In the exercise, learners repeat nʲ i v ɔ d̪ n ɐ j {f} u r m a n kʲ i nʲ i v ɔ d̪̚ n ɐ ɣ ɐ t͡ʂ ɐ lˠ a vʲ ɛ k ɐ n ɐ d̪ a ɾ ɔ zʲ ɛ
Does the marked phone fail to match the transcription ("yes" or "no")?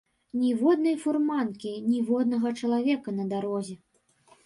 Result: no